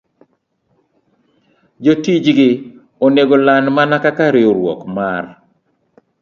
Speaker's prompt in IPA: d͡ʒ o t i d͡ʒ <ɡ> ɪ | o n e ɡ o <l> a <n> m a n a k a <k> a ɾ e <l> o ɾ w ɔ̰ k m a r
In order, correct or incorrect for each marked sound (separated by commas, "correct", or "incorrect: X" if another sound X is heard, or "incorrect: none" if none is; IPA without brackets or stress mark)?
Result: correct, correct, correct, correct, incorrect: none